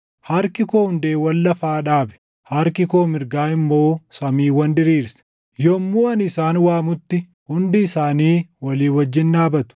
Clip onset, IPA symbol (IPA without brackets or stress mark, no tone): h